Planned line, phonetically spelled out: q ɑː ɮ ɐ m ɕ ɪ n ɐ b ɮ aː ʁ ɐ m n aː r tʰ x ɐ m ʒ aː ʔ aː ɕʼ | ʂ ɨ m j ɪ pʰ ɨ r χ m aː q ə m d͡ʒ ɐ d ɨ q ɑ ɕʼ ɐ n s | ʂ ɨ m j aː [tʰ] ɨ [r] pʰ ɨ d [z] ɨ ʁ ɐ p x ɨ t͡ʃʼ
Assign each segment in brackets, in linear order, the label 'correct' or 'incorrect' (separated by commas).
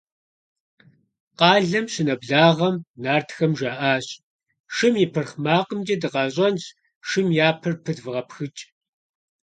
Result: incorrect, correct, incorrect